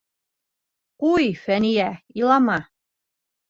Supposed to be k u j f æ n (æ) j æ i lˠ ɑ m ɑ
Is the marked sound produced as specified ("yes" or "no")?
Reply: no